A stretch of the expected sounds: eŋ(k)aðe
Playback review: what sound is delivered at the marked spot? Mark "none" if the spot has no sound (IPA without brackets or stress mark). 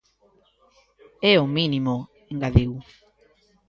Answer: ɡ